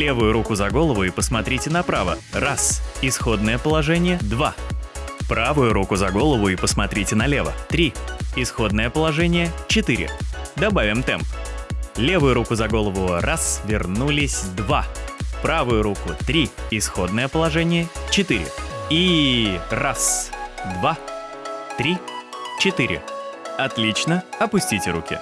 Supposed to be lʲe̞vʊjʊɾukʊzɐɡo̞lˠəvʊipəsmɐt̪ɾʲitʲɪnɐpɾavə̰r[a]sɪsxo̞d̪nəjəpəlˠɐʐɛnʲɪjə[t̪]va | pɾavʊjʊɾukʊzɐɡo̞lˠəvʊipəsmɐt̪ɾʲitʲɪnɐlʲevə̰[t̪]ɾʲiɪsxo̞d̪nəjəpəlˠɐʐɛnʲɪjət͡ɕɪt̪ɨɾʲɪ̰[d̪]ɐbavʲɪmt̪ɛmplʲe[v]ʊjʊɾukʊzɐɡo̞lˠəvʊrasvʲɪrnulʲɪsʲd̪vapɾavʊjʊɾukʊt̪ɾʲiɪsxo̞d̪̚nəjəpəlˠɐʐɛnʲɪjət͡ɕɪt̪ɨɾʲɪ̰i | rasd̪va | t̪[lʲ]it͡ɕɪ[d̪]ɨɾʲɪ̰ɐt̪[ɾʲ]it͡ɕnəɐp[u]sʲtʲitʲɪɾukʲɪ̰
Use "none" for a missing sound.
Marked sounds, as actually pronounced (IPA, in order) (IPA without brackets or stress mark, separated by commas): a, d̪, t̪, d̪, v, ɾʲ, t̪, lʲ, ʊ